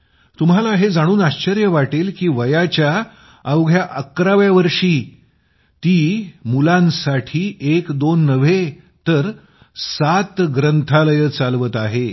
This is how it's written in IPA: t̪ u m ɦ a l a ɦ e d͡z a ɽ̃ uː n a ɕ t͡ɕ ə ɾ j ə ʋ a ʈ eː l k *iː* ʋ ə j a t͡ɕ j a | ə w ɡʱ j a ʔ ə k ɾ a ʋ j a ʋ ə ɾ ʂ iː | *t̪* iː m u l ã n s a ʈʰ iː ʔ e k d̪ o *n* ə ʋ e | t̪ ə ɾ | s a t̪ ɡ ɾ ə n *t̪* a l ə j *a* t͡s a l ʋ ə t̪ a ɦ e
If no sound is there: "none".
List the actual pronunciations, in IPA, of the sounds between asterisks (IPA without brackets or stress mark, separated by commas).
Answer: iː, t̪, nː, t̪ʰ, ə